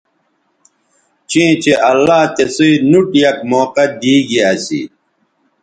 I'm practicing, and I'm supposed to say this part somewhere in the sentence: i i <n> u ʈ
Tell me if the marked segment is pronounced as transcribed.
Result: yes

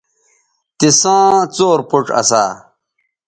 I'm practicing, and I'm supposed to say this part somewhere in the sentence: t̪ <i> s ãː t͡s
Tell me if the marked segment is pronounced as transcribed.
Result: yes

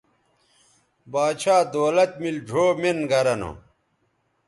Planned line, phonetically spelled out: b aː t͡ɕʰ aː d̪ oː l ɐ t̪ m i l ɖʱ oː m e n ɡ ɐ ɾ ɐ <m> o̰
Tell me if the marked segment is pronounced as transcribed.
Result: no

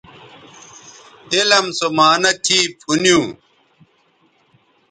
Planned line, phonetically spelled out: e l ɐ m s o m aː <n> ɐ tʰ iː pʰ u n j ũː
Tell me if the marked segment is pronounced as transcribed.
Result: yes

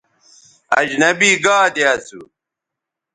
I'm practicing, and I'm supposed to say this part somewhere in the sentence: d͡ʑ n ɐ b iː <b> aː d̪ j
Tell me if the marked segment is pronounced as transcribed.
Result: no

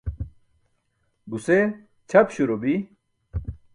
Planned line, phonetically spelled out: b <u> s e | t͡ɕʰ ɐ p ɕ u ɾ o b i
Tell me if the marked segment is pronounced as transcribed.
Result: yes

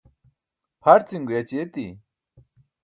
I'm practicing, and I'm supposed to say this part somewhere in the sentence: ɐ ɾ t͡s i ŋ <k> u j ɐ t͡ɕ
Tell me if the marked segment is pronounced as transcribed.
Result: no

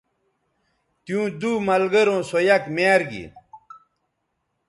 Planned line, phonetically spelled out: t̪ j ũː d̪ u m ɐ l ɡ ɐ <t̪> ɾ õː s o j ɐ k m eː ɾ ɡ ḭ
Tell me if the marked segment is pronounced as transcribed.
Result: no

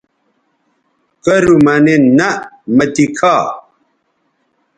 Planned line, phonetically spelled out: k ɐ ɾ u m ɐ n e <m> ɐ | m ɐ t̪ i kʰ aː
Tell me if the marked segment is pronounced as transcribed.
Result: no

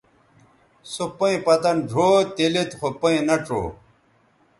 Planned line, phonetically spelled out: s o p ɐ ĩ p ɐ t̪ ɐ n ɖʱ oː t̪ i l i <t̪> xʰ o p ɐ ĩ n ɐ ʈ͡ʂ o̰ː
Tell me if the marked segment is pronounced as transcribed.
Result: yes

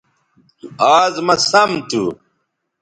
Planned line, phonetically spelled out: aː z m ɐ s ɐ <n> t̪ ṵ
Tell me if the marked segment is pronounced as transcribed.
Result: no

